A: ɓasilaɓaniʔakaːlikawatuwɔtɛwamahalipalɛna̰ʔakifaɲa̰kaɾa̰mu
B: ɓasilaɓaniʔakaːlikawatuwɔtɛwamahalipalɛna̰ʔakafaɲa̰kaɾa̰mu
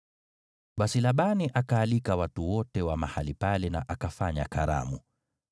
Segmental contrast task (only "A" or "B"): B